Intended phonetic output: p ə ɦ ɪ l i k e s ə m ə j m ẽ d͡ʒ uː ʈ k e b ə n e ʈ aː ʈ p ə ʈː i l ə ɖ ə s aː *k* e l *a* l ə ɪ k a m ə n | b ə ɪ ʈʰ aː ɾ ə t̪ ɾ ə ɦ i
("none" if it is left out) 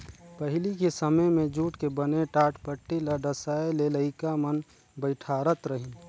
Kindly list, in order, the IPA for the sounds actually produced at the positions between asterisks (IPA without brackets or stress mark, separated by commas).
none, e